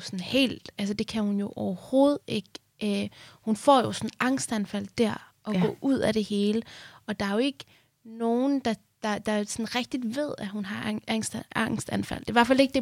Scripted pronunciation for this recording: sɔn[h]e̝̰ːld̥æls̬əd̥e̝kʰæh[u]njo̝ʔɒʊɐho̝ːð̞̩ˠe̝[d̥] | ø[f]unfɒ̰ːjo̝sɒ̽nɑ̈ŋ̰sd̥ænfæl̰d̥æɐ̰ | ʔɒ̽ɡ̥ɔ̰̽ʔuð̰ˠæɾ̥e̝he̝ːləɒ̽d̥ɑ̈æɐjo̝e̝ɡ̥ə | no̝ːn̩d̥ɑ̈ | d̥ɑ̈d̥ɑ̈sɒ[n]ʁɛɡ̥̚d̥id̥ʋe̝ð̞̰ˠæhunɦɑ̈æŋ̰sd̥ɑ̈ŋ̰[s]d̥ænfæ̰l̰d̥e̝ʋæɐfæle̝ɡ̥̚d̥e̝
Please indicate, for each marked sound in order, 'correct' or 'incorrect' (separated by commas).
correct, correct, incorrect, incorrect, correct, correct